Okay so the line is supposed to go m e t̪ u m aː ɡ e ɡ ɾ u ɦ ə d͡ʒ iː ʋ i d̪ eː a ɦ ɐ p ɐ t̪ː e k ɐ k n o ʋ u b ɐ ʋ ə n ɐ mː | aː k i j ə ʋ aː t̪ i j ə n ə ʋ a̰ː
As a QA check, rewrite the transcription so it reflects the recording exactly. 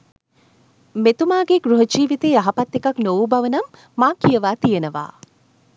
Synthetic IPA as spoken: m e t̪ u m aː ɡ e ɡ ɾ u ɦ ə d͡ʒ iː ʋ i t̪ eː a ɦ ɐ p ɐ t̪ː e k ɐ k n o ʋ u b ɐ ʋ ə n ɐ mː | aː k i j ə ʋ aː t̪ i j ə n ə ʋ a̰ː

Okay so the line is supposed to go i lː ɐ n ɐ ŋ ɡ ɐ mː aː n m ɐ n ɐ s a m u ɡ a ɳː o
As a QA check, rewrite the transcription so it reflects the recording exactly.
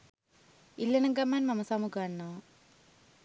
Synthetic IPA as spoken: i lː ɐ n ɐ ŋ ɡ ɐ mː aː n m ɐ m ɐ s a m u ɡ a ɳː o

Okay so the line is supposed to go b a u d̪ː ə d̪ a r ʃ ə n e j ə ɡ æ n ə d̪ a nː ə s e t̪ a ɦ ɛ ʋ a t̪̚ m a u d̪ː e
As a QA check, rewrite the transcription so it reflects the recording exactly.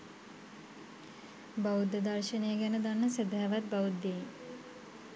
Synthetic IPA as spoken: b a u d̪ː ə d̪ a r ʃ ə n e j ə ɡ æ n ə d̪ a nː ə s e d̪ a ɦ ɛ ʋ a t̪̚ b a u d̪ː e

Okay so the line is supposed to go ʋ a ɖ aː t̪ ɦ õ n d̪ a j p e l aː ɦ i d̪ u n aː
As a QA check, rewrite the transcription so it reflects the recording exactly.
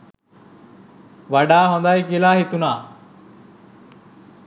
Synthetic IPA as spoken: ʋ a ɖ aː ɦ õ n d̪ a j k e l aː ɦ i t̪ u n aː

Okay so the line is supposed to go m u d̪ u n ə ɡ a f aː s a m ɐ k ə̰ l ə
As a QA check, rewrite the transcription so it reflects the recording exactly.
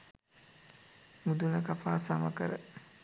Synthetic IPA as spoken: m u d̪ u n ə k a f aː s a m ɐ k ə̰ ɾ ə

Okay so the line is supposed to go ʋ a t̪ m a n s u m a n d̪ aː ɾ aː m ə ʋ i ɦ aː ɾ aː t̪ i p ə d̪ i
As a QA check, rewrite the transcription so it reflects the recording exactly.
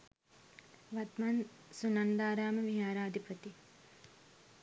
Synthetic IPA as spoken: ʋ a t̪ m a n s u n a n d̪ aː ɾ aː m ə ʋ i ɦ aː ɾ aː d̪ i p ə t̪ i

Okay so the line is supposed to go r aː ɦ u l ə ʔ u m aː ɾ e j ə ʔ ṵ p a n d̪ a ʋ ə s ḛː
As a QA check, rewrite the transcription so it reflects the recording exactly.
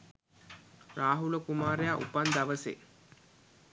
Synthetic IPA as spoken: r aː ɦ u l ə k u m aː ɾ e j a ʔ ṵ p a n d̪ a ʋ ə s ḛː

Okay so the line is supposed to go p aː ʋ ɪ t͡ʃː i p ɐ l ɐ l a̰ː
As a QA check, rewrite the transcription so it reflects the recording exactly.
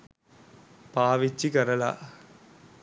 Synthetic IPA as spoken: p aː ʋ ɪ t͡ʃː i k ɐ ɾ ɐ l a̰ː

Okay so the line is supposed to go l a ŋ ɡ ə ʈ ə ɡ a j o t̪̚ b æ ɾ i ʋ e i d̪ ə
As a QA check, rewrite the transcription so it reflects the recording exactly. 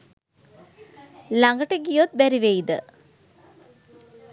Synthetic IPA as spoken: l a ŋ ɡ ə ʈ ə ɡ i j o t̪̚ b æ ɾ i ʋ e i d̪ ə

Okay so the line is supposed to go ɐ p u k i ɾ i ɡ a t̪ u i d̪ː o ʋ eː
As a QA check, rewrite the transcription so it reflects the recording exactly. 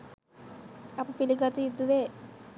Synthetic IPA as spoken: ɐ p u p i l i ɡ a t̪ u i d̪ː u ʋ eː

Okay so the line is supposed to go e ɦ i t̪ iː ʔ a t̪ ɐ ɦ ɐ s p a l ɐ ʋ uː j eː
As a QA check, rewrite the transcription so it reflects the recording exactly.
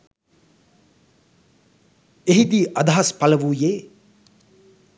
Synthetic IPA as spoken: e ɦ i d̪ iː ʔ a d̪ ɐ ɦ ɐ s p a l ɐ ʋ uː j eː

